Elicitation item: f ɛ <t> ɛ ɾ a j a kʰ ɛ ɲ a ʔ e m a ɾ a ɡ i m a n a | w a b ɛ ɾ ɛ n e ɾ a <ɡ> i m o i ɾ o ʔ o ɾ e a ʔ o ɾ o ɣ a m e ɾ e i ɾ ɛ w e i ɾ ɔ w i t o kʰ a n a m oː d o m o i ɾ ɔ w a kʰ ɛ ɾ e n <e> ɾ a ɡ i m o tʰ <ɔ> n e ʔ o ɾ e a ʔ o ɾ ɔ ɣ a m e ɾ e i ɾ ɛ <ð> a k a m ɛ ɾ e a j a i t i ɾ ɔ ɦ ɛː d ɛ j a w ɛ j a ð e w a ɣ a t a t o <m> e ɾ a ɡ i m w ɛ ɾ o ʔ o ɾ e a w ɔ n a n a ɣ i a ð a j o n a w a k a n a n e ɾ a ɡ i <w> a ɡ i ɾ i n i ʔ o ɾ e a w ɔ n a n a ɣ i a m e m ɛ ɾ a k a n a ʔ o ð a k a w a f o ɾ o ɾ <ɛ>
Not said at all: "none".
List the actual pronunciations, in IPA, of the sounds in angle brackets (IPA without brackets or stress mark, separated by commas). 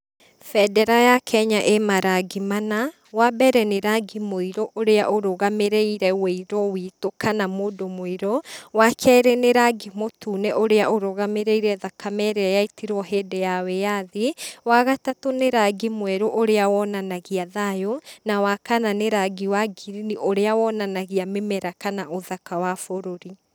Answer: d, ɡ, e, u, ð, n, w, i